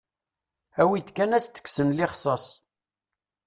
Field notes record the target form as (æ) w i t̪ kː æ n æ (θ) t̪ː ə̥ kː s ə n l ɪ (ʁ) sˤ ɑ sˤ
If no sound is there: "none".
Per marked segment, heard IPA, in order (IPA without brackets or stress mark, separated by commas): æ, s, χ